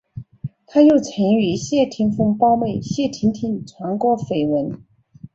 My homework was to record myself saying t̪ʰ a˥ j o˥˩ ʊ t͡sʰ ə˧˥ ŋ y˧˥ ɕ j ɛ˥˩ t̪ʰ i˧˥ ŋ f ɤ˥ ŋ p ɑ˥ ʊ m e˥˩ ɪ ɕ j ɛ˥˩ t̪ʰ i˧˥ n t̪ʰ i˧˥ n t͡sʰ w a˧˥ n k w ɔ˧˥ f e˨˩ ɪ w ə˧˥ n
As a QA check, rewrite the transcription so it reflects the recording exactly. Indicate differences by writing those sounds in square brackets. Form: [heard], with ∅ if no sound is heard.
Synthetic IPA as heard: t̪ʰ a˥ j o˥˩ ʊ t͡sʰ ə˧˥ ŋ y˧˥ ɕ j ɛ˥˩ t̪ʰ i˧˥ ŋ f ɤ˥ ŋ p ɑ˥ ʊ m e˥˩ ɪ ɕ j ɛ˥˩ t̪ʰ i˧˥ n t̪ʰ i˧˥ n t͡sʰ w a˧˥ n k w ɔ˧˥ f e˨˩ ɪ w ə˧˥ n